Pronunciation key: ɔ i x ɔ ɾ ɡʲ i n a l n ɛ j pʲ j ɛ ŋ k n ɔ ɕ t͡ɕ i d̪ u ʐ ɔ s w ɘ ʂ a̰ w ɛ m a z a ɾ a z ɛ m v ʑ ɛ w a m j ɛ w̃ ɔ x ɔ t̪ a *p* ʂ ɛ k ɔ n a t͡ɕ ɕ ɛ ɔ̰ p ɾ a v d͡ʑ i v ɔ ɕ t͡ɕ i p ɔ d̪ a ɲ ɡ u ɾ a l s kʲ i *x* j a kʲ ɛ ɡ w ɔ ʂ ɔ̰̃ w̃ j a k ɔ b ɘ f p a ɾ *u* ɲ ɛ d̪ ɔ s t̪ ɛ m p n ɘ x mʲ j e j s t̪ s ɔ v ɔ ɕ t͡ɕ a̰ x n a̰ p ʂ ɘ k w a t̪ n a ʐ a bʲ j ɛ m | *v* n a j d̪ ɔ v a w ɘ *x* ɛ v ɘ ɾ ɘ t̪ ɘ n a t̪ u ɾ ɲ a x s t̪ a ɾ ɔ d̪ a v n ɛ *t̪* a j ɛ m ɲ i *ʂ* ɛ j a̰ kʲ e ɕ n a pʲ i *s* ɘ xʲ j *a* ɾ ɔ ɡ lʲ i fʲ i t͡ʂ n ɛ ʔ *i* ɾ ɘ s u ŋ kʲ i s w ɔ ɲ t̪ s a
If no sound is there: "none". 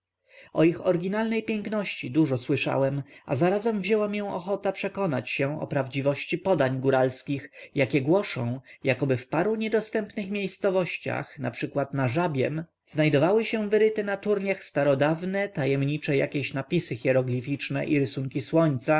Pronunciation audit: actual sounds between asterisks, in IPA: p, x, u, z, ɕ, t̪, t͡ʂ, s, ɛ, i

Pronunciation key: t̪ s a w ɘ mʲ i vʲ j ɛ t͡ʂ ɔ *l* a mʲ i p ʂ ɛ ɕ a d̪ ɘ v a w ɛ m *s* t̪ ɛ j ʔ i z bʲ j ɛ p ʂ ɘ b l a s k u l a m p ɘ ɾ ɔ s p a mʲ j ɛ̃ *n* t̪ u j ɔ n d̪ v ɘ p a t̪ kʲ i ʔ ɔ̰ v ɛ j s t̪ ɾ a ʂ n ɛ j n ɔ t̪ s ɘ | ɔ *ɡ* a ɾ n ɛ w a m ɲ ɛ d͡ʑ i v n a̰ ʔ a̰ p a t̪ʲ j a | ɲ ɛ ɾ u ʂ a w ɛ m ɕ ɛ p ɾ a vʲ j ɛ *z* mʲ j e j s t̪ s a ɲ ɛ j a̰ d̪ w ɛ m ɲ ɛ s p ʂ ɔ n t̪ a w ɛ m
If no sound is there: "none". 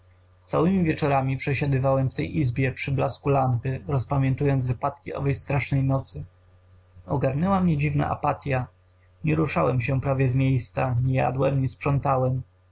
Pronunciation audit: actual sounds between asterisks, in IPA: ɾ, f, n, ɡ, z

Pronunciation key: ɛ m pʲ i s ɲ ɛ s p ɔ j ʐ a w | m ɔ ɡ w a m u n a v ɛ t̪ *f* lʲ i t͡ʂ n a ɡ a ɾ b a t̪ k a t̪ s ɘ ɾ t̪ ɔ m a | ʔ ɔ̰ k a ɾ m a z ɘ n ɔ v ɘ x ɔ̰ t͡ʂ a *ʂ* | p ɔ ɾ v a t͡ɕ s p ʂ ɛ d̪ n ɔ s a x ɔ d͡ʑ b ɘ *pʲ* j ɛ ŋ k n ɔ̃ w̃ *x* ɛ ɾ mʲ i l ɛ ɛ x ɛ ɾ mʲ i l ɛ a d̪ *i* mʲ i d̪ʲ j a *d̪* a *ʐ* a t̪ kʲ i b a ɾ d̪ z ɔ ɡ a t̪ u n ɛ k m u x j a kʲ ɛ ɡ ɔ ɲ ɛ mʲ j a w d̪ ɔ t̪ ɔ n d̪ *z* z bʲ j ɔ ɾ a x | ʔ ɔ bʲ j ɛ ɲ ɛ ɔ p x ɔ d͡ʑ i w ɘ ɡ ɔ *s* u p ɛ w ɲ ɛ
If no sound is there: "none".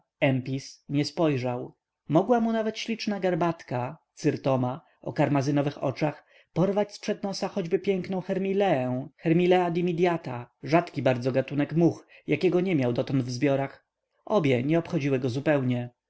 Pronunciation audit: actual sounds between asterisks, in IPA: ɕ, x, pʲ, x, i, t̪, ʐ, v, z

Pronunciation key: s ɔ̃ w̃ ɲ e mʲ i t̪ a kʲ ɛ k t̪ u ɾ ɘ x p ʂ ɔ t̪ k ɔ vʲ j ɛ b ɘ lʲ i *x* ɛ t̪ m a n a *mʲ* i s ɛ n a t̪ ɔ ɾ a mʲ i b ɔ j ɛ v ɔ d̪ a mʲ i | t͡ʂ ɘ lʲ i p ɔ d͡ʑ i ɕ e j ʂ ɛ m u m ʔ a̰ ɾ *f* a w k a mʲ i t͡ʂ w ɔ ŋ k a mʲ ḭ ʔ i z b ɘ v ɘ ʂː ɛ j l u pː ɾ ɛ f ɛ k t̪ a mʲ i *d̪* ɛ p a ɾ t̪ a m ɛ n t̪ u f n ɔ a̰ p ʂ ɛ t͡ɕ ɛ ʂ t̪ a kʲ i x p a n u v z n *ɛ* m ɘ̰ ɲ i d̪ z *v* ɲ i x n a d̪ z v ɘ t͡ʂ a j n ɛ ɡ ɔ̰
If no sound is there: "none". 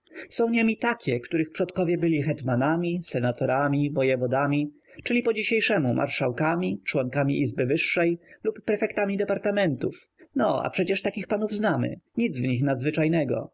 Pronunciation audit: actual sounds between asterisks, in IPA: x, mʲ, ʂ, d̪, a, v

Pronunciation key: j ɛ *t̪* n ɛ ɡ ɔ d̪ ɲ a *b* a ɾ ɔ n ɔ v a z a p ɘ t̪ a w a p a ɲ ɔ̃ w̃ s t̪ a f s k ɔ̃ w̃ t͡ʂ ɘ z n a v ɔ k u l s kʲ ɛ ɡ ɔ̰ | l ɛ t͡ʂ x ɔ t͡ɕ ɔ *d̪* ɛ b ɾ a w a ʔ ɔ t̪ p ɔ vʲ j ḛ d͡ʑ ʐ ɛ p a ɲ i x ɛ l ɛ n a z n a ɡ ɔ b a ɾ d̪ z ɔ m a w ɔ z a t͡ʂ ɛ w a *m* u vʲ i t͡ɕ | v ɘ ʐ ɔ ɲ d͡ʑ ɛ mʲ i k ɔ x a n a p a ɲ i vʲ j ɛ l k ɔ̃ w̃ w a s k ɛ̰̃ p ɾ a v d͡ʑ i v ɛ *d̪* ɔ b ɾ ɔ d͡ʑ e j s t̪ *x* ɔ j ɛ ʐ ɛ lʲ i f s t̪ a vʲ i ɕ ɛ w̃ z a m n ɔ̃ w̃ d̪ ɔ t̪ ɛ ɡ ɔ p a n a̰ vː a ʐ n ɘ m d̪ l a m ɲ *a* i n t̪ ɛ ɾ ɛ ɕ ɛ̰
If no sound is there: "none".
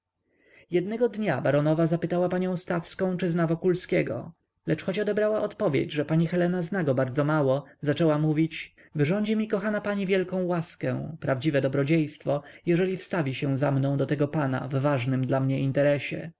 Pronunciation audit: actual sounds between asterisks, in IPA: d̪, b, d̪, m, d̪, f, ɛ

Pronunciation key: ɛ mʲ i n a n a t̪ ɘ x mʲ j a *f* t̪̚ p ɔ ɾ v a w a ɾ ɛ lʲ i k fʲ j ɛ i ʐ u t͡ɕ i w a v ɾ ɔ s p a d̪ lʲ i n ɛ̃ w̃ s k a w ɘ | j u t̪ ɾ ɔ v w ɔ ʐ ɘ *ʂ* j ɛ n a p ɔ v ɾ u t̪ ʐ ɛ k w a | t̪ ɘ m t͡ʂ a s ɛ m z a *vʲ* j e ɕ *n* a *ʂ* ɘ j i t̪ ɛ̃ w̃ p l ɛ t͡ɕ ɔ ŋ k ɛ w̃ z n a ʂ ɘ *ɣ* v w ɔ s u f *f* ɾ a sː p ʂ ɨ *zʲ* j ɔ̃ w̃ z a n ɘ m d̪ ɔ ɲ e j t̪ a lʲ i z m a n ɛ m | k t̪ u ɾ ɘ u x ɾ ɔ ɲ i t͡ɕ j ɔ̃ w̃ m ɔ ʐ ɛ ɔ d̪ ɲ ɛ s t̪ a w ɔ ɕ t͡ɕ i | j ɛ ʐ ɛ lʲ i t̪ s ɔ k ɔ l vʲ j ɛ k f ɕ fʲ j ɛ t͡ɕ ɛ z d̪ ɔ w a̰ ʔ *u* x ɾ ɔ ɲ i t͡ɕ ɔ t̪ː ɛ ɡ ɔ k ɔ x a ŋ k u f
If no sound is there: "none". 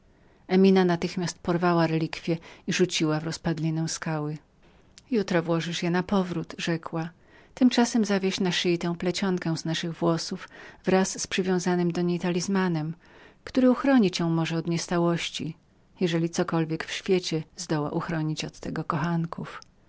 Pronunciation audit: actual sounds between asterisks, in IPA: s, ʂ, vʲ, n, ʂ, ɣ, v, vʲ, u

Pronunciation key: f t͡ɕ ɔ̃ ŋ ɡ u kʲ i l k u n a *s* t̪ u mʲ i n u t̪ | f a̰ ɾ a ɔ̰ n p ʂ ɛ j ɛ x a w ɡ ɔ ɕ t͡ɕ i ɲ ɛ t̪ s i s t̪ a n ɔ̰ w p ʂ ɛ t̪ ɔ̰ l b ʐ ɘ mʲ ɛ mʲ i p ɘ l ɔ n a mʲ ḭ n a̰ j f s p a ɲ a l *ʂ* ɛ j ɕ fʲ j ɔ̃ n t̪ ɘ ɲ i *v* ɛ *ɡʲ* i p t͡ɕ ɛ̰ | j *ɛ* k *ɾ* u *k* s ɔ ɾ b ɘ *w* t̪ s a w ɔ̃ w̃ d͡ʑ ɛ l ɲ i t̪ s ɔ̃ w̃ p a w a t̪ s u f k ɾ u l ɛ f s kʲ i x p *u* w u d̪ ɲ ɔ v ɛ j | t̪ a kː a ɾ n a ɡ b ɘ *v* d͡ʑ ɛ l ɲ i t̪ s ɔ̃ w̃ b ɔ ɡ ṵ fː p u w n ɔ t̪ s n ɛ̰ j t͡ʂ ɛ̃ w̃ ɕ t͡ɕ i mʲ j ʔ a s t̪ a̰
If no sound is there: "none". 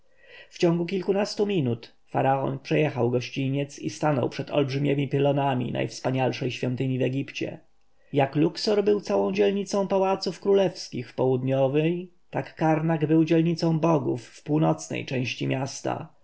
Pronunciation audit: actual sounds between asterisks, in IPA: s, ʂ, v, ɡʲ, a, l, k, w, ɔ, w

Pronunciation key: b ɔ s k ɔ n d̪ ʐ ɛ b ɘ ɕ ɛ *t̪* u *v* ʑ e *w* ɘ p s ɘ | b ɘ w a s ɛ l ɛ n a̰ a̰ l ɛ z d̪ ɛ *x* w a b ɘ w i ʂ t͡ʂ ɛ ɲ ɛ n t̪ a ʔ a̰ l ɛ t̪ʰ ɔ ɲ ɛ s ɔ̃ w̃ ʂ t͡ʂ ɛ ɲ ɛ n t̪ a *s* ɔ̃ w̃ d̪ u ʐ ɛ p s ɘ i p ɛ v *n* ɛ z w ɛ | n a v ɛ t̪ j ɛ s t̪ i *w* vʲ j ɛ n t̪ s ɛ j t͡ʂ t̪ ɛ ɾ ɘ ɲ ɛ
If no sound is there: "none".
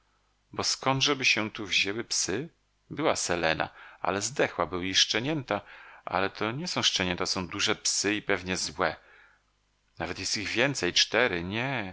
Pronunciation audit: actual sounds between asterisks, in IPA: t̪, v, w, x, s, ɲ, ɣ

